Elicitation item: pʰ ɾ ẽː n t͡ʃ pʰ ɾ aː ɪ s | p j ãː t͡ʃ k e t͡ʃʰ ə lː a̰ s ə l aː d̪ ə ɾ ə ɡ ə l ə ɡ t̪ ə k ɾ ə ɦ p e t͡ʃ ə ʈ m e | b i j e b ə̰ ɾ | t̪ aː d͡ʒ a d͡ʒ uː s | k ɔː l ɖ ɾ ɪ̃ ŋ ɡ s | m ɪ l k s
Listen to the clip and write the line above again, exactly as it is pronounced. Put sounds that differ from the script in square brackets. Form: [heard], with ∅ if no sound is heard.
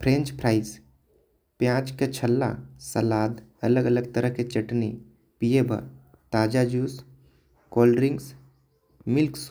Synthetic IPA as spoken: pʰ ɾ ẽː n t͡ʃ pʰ ɾ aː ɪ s | p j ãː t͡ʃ k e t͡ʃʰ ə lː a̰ s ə l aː d̪ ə [l] ə ɡ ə l ə ɡ t̪ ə [∅] ɾ ə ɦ [k] e t͡ʃ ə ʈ [n] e | [p] i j e b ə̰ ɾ | t̪ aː d͡ʒ a d͡ʒ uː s | k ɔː l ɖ ɾ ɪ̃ ŋ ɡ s | m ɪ l k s